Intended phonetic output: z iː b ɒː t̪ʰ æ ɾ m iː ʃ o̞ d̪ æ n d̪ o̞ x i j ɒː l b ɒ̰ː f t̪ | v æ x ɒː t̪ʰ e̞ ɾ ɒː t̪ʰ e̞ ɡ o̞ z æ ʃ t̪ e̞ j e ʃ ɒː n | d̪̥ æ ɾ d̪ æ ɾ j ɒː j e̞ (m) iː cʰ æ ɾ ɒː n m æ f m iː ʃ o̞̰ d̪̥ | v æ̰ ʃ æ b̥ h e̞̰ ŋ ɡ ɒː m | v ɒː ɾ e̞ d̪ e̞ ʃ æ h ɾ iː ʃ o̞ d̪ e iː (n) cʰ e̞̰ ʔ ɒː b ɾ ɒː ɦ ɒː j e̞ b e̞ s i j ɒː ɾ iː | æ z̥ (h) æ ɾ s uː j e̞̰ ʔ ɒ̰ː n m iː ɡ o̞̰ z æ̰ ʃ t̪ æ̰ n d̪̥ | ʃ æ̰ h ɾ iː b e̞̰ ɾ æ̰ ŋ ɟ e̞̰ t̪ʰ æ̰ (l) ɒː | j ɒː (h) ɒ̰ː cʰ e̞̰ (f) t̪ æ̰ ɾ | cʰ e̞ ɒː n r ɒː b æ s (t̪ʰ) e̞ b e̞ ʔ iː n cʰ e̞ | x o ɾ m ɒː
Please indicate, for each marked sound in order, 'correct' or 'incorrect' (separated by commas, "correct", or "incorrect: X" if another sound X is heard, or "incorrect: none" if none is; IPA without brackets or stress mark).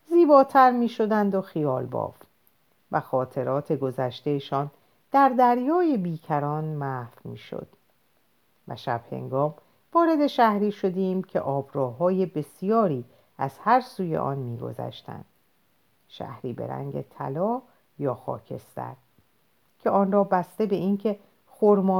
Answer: incorrect: b, incorrect: m, correct, correct, incorrect: x, incorrect: s, incorrect: t̪